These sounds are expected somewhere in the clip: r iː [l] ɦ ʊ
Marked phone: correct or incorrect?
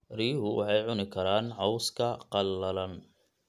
incorrect